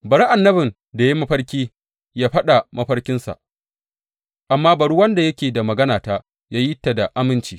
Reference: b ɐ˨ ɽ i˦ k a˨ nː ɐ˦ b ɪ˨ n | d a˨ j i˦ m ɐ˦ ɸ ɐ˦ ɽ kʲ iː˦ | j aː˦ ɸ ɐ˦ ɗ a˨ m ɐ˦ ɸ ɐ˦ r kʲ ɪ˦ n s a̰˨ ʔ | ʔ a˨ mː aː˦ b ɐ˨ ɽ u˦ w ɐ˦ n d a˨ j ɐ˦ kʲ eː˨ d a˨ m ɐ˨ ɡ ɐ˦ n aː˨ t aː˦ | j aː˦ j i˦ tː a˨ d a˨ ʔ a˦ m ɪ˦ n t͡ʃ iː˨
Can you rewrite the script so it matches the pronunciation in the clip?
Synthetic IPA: b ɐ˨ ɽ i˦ ʔ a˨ nː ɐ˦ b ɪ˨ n | d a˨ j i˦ m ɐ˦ ɸ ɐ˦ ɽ kʲ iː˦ | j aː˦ ɸ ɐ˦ ɗ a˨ m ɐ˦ ɸ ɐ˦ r kʲ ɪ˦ n s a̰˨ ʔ | ʔ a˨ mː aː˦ b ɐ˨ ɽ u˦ w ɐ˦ n d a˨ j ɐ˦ kʲ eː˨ d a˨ m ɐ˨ ɡ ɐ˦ n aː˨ t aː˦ | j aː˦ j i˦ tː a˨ d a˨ ʔ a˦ m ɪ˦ n t͡ʃ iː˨